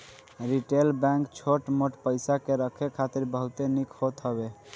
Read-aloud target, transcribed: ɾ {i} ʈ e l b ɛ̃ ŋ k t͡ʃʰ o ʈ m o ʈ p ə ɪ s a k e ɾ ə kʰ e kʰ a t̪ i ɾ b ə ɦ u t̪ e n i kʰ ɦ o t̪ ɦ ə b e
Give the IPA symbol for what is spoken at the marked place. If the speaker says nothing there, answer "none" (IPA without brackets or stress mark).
i